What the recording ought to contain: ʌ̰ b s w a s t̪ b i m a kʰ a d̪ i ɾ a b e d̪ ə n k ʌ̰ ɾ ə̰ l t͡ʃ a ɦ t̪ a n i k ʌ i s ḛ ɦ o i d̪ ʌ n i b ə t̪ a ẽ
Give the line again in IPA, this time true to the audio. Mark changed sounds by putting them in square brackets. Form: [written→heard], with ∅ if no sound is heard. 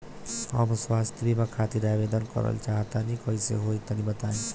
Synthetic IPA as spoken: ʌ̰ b s w a s t̪ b i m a kʰ a [d̪→t̪] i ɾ a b e d̪ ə n k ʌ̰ ɾ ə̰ l t͡ʃ a ɦ t̪ a n i k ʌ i s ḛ ɦ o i [d̪→t̪] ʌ n i b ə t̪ a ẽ